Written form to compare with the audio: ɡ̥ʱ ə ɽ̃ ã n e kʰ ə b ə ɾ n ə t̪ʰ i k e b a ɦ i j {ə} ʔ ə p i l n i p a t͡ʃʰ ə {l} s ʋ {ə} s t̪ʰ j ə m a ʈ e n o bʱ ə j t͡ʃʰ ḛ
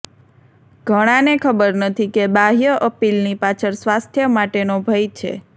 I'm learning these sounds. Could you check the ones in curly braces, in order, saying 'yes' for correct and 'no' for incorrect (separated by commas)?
yes, no, no